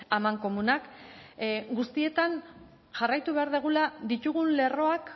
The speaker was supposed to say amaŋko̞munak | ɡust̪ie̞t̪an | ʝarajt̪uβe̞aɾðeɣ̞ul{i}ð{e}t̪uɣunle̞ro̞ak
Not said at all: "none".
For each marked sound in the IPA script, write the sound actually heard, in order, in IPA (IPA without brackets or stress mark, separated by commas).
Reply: a, i